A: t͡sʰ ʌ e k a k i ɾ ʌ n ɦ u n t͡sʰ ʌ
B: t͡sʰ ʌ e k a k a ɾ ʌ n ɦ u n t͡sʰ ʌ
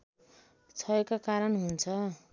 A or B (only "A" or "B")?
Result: B